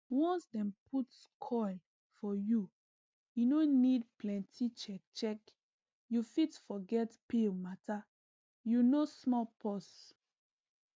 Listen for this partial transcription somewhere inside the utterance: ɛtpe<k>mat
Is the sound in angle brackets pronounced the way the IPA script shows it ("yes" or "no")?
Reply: no